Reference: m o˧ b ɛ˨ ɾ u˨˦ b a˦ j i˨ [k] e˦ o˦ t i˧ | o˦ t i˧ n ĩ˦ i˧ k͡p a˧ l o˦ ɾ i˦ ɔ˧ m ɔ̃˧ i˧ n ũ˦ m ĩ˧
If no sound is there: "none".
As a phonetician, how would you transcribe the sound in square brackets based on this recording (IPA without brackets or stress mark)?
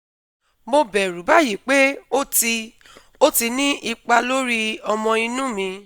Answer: k͡p